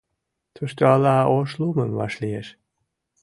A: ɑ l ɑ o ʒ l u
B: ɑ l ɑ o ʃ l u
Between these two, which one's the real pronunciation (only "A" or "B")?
B